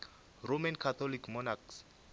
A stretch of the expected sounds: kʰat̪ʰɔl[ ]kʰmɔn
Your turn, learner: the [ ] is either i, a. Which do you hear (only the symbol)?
i